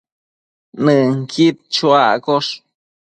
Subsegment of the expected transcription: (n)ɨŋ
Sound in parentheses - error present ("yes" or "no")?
no